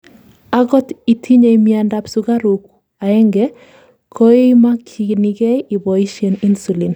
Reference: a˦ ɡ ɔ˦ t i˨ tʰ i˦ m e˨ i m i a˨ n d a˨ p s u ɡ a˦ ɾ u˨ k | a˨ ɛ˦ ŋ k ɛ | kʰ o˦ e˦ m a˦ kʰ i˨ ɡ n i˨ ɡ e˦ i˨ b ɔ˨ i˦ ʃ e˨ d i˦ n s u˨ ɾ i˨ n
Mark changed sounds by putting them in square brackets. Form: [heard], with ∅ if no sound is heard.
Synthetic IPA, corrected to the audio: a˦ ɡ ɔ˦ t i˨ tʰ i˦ [ɲ] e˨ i m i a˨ n d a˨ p s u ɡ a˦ ɾ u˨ k | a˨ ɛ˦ ŋ [ɡ] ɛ | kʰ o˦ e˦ m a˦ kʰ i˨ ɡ n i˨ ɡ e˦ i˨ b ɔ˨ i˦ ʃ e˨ [n] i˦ n s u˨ [l] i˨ n